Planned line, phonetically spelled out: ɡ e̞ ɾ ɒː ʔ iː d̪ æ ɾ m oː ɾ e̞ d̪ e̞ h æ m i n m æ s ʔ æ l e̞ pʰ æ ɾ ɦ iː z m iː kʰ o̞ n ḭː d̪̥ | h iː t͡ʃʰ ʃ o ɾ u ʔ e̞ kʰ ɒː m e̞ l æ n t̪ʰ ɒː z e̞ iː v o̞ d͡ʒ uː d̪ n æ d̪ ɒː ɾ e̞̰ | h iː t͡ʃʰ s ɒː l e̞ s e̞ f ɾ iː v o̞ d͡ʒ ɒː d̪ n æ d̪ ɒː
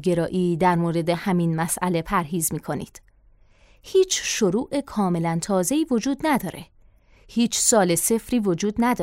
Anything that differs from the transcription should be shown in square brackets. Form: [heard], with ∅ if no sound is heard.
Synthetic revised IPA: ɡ e̞ ɾ ɒː ʔ iː d̪ æ ɾ m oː ɾ e̞ d̪ e̞ h æ m i n m æ s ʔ æ l e̞ pʰ æ ɾ ɦ iː z m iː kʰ o̞ n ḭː d̪̥ | h iː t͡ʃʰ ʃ o ɾ [uː] ʔ e̞ kʰ ɒː m e̞ l æ n t̪ʰ ɒː z e̞ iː v o̞ d͡ʒ uː d̪ n æ d̪ ɒː ɾ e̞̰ | h iː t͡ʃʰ s ɒː l e̞ s e̞ f ɾ iː v o̞ d͡ʒ [uː] d̪ n æ d̪ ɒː